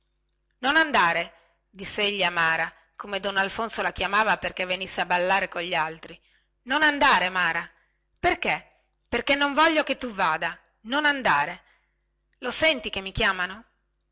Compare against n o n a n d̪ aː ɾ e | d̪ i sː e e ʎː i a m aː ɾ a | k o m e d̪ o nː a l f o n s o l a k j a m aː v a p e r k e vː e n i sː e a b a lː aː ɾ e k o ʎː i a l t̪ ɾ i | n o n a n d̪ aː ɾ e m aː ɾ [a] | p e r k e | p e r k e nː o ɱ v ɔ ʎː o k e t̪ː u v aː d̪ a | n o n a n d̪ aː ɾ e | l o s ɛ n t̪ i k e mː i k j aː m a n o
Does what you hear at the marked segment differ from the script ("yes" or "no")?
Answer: no